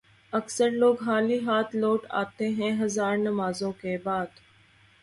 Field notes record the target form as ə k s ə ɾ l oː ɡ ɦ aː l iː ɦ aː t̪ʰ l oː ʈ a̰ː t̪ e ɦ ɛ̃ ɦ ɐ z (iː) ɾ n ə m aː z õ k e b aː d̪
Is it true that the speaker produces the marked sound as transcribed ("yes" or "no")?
no